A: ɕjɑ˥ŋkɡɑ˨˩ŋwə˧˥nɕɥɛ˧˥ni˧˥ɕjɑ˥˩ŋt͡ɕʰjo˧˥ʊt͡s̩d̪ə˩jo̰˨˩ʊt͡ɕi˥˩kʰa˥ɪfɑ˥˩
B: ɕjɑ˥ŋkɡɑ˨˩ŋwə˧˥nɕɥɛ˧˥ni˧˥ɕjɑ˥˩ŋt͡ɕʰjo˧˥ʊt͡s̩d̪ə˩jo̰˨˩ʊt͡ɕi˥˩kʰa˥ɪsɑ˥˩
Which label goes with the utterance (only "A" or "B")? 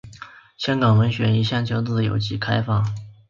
A